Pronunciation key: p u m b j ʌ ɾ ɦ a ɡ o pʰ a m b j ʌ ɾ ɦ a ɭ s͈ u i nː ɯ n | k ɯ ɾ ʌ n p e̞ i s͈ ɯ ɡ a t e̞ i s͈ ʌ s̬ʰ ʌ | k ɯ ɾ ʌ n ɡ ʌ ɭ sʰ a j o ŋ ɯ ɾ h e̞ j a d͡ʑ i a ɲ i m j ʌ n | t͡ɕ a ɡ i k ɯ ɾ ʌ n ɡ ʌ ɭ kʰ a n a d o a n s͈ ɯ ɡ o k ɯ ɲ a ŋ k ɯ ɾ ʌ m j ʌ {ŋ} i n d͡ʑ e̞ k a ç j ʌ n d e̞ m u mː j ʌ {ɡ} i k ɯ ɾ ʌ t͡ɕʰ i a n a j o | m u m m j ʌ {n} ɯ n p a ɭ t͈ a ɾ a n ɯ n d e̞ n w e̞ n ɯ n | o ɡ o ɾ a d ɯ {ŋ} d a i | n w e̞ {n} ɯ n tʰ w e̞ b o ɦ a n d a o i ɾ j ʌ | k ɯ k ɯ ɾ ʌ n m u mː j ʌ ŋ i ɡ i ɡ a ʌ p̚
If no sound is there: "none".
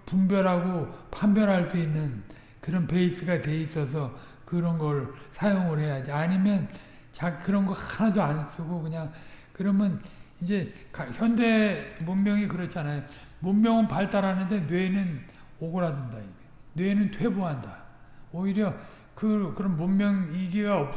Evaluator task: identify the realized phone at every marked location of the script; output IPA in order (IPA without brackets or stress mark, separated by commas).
n, ŋ, ŋ, n, n